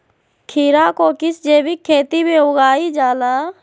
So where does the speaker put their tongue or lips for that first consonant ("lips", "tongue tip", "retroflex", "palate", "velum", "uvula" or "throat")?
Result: velum